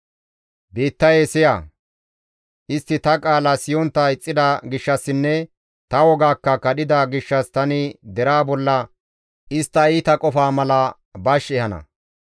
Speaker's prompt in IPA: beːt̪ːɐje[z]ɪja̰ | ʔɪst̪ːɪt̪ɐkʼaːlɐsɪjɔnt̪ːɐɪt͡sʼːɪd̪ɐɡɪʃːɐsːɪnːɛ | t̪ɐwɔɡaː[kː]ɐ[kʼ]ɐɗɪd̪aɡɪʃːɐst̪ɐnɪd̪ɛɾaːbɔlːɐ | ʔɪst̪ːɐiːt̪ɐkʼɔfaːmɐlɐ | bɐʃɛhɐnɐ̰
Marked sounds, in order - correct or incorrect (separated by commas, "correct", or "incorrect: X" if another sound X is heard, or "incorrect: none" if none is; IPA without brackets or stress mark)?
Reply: incorrect: s, correct, incorrect: k